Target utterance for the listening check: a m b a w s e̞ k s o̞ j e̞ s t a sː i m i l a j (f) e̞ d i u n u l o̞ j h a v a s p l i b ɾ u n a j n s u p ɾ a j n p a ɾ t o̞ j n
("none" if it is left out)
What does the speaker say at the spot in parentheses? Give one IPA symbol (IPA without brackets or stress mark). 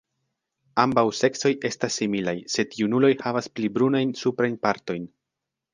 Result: s